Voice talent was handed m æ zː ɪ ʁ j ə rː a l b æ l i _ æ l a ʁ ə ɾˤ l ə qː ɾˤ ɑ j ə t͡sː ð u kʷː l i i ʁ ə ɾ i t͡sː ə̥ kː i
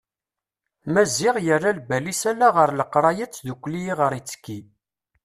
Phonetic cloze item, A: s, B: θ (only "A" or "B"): A